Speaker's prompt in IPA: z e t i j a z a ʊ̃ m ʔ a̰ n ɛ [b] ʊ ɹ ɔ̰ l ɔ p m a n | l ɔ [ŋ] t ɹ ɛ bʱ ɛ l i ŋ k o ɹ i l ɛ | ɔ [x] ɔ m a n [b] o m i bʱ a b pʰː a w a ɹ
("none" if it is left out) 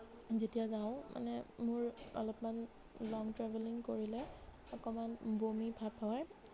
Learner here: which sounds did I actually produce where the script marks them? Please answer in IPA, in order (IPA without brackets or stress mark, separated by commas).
m, ŋ, k, b